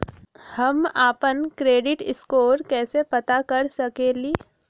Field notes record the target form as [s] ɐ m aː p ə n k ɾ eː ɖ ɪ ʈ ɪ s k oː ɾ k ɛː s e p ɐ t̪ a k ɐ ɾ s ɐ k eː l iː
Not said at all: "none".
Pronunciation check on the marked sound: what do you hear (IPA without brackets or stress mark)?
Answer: h